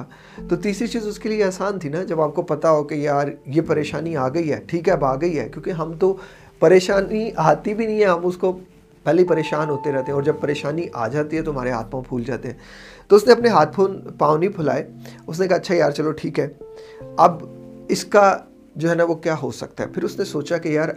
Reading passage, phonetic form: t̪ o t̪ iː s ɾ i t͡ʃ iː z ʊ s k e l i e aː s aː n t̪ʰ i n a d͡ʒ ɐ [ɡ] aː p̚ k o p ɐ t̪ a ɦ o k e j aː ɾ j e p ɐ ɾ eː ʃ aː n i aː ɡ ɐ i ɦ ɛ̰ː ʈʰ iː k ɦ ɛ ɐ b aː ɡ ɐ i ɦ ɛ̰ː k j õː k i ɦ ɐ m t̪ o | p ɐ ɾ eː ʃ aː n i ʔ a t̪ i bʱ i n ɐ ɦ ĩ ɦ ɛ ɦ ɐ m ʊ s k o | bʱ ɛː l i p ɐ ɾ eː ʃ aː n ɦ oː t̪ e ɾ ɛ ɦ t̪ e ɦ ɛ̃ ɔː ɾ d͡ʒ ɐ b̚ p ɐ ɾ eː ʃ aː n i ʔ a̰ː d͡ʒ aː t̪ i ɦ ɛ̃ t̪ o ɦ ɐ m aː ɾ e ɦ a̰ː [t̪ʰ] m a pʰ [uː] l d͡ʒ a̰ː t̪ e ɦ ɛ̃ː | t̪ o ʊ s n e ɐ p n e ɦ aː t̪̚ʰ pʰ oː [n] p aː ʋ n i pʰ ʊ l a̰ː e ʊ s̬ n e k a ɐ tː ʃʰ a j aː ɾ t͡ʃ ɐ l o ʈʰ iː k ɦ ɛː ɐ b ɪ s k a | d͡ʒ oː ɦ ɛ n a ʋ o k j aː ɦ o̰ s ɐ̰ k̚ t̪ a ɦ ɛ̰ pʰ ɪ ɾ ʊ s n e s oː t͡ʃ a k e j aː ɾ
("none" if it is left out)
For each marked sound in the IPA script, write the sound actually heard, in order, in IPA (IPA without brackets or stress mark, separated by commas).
b, t̪, uː, n